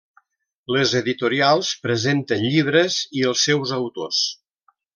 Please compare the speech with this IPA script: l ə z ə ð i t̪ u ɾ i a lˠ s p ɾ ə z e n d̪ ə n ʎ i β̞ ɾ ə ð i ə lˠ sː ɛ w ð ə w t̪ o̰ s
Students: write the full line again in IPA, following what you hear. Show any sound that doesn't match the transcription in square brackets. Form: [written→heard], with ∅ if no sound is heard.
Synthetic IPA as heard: l ə z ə ð i t̪ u ɾ i a lˠ s p ɾ ə z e n [d̪→t̪] ə n ʎ i β̞ ɾ ə [ð→z] i ə lˠ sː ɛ w [ð→z] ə w t̪ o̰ s